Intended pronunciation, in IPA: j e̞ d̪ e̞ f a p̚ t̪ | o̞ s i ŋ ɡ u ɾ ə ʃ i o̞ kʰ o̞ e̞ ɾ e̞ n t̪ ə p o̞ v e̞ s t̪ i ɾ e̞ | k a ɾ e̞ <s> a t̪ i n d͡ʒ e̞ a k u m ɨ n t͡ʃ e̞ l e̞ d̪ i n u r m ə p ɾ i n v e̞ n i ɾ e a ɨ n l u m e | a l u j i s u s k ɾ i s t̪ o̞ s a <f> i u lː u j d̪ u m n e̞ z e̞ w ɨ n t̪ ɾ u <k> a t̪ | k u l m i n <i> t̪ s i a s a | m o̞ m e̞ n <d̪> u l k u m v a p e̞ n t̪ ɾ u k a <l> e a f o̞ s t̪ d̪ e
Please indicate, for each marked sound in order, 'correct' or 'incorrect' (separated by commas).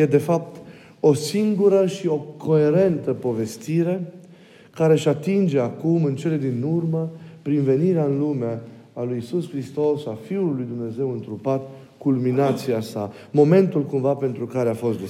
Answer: incorrect, correct, incorrect, incorrect, incorrect, incorrect